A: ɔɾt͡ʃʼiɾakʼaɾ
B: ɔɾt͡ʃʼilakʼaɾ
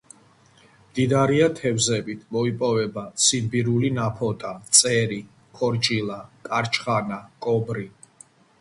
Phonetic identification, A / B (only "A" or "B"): B